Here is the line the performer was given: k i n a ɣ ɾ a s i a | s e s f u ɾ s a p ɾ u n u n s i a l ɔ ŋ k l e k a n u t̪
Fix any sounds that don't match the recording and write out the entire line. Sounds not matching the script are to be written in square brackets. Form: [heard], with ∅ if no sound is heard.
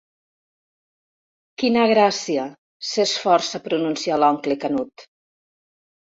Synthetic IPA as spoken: k i n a ɣ ɾ a s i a | s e s f [ɔ] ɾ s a p ɾ u n u n s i a l ɔ ŋ k l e k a n u t̪